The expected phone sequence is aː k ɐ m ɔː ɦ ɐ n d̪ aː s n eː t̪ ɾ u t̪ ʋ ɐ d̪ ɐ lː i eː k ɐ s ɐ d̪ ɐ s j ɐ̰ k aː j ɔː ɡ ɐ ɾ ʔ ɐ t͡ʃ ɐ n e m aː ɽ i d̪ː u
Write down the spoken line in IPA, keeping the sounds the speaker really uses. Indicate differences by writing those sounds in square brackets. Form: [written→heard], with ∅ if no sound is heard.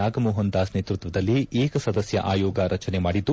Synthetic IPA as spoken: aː [k→ɡ] ɐ m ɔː ɦ ɐ n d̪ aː s n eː t̪ ɾ u t̪ ʋ ɐ d̪ ɐ lː i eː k ɐ s ɐ d̪ ɐ s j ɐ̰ [k→ʔ] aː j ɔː ɡ ɐ ɾ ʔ ɐ t͡ʃ ɐ n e m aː ɽ i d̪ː u